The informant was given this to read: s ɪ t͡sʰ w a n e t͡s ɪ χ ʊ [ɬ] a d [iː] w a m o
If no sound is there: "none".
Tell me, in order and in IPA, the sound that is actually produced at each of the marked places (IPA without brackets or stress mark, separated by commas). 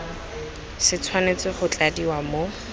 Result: t͡ɬ, i